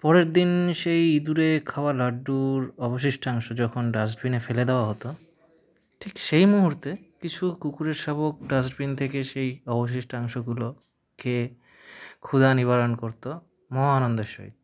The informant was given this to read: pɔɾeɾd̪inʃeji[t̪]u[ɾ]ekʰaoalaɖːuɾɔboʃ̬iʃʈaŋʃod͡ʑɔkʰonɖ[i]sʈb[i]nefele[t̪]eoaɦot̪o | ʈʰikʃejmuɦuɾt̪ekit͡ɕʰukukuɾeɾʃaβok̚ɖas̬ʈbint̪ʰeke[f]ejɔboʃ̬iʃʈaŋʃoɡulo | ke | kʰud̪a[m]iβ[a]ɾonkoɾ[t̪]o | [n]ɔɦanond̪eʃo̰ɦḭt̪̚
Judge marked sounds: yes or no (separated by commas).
no, yes, no, yes, no, no, no, yes, yes, no